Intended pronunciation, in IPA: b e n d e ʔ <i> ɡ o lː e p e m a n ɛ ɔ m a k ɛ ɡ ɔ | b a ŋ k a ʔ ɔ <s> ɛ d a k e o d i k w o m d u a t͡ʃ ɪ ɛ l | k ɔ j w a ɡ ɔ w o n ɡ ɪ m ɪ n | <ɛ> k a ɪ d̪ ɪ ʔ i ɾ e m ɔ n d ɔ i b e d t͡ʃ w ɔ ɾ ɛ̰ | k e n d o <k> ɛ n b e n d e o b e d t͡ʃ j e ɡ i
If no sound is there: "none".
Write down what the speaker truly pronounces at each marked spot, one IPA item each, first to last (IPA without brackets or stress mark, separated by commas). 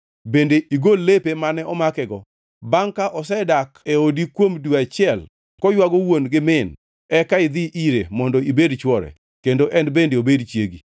i, s, ɛ, ʔ